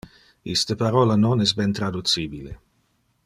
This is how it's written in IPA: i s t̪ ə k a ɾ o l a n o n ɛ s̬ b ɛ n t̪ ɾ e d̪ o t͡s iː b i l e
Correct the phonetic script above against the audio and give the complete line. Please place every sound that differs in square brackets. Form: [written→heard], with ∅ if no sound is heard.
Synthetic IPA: i s t̪ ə [k→p] a ɾ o l a n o n ɛ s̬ b ɛ n t̪ ɾ [e→a] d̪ [o→u] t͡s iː b i l e